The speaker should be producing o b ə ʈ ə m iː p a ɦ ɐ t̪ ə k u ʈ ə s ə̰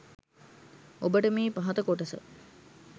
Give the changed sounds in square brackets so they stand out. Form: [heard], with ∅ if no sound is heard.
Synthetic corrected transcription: o b ə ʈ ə m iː p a ɦ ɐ t̪ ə k [o] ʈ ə s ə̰